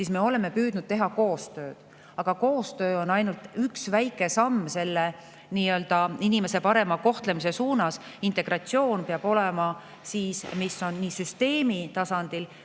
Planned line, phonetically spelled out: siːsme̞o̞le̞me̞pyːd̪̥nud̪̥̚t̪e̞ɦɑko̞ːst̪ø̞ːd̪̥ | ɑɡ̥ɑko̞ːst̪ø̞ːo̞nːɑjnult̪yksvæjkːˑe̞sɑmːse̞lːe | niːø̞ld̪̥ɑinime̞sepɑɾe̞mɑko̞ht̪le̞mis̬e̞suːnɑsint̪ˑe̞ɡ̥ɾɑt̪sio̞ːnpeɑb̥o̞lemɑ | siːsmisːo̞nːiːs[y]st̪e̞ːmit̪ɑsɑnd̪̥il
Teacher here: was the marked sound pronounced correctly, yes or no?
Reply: yes